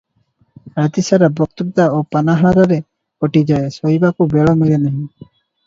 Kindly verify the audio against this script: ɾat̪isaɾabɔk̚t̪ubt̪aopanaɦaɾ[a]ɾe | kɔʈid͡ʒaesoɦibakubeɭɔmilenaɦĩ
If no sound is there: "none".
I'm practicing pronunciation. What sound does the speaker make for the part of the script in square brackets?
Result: a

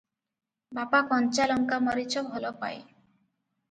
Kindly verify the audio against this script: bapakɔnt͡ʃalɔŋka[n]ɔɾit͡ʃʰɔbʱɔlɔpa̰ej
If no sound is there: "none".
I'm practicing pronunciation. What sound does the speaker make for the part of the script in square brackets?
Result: m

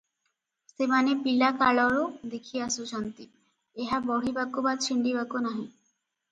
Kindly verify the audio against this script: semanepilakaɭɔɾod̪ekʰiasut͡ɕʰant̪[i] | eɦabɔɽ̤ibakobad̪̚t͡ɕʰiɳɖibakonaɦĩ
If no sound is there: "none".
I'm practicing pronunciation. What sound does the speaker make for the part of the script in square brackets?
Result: i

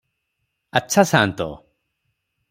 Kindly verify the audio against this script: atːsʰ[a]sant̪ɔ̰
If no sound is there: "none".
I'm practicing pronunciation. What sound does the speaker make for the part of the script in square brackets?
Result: a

